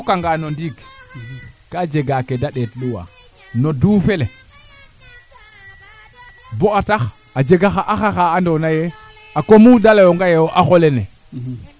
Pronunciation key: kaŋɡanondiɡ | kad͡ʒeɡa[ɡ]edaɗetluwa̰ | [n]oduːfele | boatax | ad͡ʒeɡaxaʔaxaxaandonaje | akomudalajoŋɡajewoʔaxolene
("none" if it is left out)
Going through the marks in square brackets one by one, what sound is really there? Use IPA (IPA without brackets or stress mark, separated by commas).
k, n